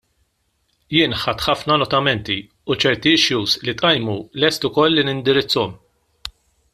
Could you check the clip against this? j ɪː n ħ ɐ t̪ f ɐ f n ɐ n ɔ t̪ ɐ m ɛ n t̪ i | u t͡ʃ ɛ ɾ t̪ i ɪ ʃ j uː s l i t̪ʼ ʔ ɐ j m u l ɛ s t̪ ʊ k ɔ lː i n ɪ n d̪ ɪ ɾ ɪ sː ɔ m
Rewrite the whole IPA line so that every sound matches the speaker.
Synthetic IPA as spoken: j ɪː n ħ ɐ t̪ ħ ɐ f n ɐ n ɔ t̪ ɐ m ɛ n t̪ i | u t͡ʃ ɛ ɾ t̪ i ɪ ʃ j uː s l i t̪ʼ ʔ ɐ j m u l ɛ s t̪ ʊ k ɔ lː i n ɪ n d̪ ɪ ɾ ɪ t͡sː ɔ m